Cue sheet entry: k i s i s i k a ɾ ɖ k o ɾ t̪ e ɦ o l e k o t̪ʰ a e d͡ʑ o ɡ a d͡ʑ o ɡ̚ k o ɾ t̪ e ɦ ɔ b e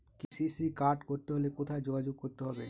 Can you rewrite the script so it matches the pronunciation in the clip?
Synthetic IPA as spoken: k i s i s i k a ɾ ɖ k o ɾ t̪ e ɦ o l e k o t̪ʰ a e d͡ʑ o ɡ a d͡ʑ o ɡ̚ k o ɾ t̪ e ɦ ɔ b e